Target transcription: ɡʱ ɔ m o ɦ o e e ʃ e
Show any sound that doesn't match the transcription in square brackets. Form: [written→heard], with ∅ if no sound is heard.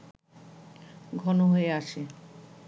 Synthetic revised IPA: ɡʱ ɔ [m→n] o ɦ o e [e→a] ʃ e